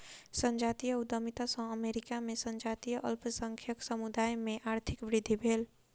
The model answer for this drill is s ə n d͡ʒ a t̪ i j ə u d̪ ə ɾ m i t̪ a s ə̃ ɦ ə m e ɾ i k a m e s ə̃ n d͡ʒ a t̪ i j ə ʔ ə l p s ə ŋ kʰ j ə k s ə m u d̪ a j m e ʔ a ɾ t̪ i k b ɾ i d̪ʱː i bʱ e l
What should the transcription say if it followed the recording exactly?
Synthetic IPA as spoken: s ə n d͡ʒ a t̪ i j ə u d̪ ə m i t̪ a s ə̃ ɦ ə m e ɾ i k a m e s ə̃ n d͡ʒ a t̪ i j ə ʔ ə l p s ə ŋ kʰ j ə k s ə m u d̪ a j m e ʔ a ɾ t̪ʰ i k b ɾ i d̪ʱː i bʱ e l

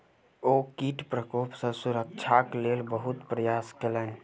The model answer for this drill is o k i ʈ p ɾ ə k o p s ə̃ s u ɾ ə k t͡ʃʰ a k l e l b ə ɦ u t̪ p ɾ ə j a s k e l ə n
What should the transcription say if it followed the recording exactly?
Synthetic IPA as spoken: o k i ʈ p ɾ ə k o p s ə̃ s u ɾ ə k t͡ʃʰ a k l e l b ə ɦ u t̪ p ɾ ə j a s k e l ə n

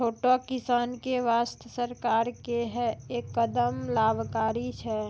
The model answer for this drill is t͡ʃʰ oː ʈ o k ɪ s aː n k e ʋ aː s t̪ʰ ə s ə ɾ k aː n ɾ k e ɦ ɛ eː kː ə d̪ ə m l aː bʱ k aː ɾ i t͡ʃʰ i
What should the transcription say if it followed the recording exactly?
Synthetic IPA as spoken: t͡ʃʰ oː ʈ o k ɪ s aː n k e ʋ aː s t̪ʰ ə s ə ɾ k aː ɾ k e ɦ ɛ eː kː ə d̪ ə m l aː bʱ k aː ɾ i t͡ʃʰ ɛ

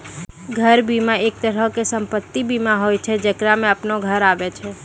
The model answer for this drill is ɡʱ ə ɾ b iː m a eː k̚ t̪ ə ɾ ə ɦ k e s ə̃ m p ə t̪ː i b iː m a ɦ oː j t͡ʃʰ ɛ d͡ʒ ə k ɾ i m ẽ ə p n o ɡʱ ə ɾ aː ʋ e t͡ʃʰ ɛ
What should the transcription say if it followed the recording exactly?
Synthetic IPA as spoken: ɡʱ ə ɾ b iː m a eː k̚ t̪ ə ɾ ə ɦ k e s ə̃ m p ə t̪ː i b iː m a ɦ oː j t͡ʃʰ ɛ d͡ʒ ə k ɾ a m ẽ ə p n o ɡʱ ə ɾ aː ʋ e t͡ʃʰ ɛ

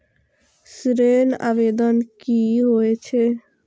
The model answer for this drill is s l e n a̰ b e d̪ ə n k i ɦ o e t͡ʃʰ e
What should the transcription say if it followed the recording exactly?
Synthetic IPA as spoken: s ɾ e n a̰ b e d̪ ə n k i ɦ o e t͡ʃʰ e

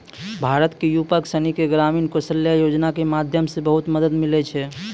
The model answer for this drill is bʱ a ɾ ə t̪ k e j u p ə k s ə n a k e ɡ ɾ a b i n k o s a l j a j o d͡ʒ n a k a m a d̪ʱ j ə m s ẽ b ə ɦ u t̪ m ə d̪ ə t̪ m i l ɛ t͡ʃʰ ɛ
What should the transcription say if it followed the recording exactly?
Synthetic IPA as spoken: bʱ a ɾ ə t̪ k e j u p ə k s ə n i k e ɡ ɾ a m i n k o s ə l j a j o d͡ʒ n a k e m a d̪ʱ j ə m s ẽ b ə ɦ u t̪ m ə d̪ ə d̪ m i l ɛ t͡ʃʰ ɛ

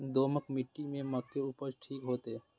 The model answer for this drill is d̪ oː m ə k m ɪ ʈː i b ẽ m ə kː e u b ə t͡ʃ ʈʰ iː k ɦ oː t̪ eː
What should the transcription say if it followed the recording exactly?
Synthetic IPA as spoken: d̪ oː m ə k m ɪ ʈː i m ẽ m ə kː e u p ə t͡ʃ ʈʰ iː k ɦ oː t̪ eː

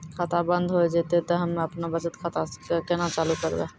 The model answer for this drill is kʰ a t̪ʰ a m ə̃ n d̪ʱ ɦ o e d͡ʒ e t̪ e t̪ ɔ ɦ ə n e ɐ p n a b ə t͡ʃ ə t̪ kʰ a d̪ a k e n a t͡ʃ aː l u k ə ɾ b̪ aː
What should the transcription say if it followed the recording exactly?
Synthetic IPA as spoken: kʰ a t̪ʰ a b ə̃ n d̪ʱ ɦ o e d͡ʒ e t̪ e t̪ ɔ ɦ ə m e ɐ p n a b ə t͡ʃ ə t̪ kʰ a t̪ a k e n a t͡ʃ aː l u k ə ɾ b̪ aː

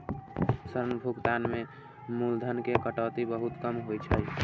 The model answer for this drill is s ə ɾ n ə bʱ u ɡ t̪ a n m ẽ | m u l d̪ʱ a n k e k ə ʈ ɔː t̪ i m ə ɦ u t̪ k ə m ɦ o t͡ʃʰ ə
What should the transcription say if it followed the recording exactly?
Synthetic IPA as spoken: s ə ɾ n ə bʱ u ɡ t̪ a n m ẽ | m u l d̪ʱ ə n k e k ə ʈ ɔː t̪ i b ə ɦ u t̪ k ə m ɦ o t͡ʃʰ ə

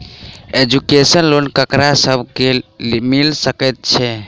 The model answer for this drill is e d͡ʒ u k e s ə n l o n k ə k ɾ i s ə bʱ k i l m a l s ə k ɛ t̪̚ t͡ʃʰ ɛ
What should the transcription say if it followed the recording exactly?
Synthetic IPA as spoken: e d͡ʒ u k e s ə n l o n k ə k ɾ a s ə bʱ k e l m i l s ə k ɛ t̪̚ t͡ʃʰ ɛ

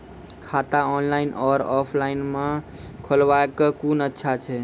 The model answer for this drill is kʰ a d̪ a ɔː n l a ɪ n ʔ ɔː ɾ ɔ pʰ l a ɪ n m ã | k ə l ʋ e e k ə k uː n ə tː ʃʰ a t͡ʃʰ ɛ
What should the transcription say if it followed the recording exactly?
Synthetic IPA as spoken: kʰ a t̪ a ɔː n l a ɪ n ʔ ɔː ɾ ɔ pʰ l a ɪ n m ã | kʰ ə l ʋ a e k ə k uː n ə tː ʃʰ a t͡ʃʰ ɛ

